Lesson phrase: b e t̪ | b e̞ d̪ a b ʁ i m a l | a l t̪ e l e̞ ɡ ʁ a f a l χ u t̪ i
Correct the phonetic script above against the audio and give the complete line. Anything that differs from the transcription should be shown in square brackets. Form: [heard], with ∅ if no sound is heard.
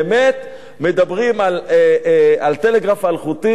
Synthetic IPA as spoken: [m] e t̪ | [m] e̞ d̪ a b ʁ i m a l | a l t̪ e l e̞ ɡ ʁ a f a l χ u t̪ i